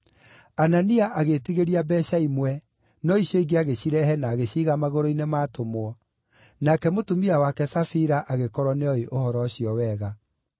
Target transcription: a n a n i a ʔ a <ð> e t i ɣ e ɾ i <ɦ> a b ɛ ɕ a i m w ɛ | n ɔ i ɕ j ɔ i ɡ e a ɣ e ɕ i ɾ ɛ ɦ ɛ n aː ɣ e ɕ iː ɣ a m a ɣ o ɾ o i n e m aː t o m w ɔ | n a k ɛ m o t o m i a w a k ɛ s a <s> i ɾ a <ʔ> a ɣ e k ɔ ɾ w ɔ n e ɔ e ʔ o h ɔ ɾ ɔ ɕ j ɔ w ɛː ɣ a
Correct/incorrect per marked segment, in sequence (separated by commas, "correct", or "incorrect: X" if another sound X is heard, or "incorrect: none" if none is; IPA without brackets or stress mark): incorrect: ɣ, incorrect: none, incorrect: f, correct